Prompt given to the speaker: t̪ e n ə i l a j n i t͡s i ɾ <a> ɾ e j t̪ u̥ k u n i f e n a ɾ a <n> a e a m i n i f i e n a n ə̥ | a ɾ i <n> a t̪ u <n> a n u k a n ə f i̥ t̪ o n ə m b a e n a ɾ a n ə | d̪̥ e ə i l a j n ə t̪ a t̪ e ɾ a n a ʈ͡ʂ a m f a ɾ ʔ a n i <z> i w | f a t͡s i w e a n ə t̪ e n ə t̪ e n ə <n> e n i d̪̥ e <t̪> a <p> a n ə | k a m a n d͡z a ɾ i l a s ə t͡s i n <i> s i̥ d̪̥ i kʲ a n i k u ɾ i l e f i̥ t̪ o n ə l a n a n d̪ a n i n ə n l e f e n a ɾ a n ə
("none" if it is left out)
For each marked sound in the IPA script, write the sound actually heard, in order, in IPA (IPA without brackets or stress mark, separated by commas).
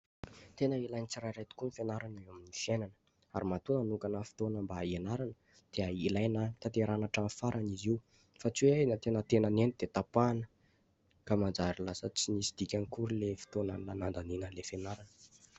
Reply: a, n, m, n, z, n, t̪, p, i